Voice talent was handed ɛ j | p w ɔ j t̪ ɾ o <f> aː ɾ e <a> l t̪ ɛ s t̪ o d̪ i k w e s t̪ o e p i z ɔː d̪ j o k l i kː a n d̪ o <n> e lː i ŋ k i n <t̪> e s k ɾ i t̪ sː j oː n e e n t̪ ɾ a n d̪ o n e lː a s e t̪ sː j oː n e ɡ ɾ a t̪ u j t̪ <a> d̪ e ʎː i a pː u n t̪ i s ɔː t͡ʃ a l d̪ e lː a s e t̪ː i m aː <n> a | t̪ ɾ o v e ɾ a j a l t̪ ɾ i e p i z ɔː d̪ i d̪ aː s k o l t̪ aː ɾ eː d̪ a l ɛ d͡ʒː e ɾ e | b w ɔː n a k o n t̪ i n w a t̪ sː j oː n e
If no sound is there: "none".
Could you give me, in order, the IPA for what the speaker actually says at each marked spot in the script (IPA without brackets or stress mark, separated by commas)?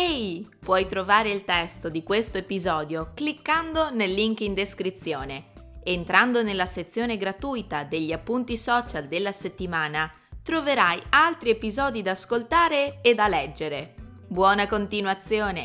v, i, n, d̪, a, n